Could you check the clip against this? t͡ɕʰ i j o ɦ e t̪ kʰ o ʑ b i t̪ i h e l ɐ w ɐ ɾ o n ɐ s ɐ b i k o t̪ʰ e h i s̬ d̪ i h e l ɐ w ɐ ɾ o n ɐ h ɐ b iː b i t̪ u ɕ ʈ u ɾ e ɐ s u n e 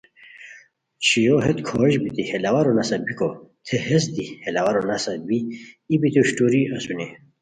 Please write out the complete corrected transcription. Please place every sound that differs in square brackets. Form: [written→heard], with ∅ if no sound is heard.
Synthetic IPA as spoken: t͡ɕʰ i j o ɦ e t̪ kʰ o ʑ b i t̪ i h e l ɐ w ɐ ɾ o n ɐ s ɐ b i k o t̪ʰ e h [i→e] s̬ d̪ i h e l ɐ w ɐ ɾ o n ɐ [h→s] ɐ b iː b i t̪ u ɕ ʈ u ɾ [e→i] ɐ s u n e